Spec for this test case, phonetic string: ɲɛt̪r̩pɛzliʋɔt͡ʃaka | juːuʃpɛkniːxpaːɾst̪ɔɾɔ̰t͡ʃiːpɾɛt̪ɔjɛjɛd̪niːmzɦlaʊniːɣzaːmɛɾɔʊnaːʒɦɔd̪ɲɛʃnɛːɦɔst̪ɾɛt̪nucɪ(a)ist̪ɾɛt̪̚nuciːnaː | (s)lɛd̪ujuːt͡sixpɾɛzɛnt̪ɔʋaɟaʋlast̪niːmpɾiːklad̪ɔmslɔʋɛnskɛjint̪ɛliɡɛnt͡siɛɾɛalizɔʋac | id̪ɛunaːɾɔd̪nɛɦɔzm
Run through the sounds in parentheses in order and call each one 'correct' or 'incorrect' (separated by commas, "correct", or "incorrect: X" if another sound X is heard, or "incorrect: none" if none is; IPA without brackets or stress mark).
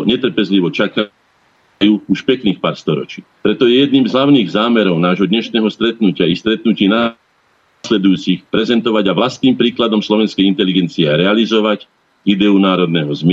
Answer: correct, correct